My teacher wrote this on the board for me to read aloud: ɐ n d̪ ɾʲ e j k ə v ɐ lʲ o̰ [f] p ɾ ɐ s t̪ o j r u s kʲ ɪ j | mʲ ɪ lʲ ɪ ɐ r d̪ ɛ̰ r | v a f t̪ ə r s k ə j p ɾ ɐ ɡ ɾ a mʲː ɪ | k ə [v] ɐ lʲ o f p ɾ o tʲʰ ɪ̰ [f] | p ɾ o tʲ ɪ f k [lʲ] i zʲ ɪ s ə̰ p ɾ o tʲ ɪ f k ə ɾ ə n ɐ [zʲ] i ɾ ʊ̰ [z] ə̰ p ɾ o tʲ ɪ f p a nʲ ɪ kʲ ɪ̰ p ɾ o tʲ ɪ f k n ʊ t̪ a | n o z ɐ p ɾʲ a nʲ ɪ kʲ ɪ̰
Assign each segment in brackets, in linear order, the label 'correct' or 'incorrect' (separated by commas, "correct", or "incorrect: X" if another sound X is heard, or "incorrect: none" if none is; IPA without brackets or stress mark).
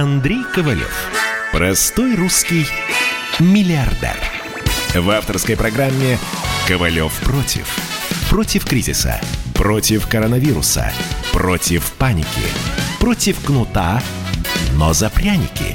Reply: correct, correct, correct, incorrect: ɾʲ, incorrect: vʲ, incorrect: s